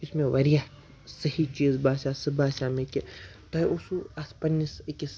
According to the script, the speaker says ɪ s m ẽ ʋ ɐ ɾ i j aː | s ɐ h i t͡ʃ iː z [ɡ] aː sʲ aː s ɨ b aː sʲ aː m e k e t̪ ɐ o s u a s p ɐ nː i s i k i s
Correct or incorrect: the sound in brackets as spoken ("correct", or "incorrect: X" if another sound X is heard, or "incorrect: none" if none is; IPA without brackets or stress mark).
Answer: incorrect: b